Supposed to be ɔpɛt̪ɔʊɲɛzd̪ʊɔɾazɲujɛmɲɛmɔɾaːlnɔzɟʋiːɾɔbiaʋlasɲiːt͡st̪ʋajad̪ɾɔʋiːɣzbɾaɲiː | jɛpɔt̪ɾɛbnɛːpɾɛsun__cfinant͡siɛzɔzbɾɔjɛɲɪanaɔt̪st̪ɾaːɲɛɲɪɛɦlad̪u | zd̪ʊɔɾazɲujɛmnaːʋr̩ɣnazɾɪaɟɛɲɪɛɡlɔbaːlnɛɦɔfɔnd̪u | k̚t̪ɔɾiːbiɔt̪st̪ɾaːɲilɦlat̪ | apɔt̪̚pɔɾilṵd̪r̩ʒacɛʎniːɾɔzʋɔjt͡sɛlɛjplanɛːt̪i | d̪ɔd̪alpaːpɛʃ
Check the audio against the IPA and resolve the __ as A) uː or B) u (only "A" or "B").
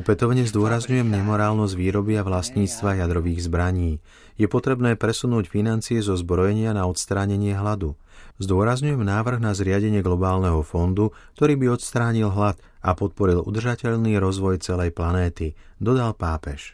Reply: A